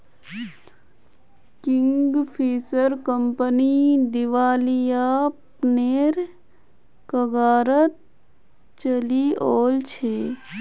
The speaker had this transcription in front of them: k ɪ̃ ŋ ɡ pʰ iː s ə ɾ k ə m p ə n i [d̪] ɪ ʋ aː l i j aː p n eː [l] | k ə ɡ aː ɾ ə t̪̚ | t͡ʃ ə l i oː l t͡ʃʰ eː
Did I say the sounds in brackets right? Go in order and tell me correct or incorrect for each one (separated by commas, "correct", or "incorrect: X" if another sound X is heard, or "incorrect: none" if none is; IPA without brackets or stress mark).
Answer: correct, incorrect: ɾ